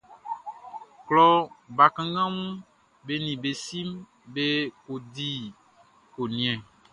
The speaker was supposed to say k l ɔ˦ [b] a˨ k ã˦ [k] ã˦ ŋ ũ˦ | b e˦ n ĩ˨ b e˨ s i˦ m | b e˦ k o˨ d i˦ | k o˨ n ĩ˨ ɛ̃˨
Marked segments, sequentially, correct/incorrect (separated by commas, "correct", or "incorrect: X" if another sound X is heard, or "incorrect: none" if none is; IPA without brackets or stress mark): correct, incorrect: ɡ